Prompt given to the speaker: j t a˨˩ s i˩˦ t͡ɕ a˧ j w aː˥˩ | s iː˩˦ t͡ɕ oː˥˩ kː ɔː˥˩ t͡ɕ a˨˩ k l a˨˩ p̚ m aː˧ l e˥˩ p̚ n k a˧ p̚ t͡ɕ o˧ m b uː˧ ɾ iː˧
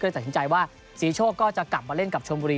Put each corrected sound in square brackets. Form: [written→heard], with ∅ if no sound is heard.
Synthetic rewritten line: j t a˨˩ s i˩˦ t͡ɕ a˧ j w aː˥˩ | s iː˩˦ [t͡ɕ→t͡ɕʰ] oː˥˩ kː ɔː˥˩ t͡ɕ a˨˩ k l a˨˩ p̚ m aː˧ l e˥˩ [p̚→∅] n k [a˧→a˨˩] p̚ [t͡ɕ→t͡ɕʰ] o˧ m b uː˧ ɾ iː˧